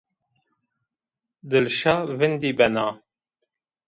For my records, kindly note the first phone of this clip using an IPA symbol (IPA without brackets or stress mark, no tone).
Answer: d̪